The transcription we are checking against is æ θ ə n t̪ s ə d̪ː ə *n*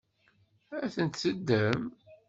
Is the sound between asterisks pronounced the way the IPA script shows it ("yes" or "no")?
no